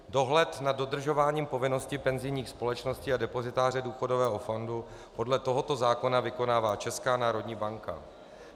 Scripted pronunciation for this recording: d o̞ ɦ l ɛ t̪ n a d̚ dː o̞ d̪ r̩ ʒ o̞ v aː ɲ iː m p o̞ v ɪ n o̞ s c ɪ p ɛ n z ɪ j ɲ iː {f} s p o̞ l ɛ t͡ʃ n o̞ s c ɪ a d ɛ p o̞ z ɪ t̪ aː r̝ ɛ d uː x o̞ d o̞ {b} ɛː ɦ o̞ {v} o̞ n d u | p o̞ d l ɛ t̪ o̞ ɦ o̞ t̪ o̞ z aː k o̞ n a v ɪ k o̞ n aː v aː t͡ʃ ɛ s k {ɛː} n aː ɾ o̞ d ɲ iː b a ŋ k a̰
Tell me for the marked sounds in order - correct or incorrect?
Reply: incorrect, incorrect, incorrect, incorrect

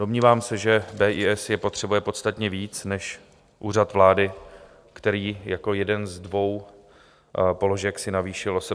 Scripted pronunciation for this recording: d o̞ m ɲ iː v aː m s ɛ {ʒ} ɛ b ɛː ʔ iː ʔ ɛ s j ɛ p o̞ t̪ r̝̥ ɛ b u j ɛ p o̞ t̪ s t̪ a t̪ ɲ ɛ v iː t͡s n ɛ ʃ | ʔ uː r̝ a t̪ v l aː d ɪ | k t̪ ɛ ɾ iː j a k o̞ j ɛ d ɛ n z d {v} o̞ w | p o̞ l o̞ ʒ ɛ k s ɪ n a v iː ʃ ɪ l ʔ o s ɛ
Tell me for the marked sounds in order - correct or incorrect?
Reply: correct, correct

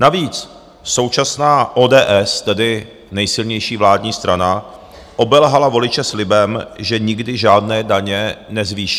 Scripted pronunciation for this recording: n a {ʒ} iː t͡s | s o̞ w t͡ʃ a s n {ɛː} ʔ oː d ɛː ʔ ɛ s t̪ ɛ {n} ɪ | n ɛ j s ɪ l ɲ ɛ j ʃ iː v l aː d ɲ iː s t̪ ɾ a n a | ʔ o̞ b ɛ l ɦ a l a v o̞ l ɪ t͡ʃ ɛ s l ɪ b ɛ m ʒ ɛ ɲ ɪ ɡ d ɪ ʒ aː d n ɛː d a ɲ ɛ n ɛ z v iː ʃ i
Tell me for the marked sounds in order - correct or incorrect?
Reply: incorrect, incorrect, incorrect

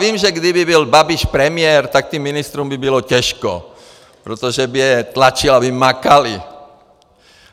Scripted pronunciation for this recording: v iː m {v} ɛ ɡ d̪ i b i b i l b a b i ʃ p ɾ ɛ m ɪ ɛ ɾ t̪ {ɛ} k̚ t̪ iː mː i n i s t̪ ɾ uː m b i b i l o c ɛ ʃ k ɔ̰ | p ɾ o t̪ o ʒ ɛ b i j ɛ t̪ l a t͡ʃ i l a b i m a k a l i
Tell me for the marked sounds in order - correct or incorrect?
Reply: incorrect, incorrect

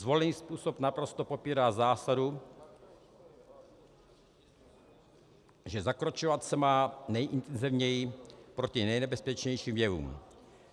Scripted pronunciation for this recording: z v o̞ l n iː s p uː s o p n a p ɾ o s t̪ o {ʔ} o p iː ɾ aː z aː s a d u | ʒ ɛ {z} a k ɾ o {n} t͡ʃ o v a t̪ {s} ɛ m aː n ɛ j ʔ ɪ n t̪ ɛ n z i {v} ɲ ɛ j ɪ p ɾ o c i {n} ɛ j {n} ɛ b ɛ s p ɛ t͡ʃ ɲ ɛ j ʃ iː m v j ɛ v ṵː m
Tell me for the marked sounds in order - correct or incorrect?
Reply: incorrect, correct, incorrect, correct, correct, correct, correct

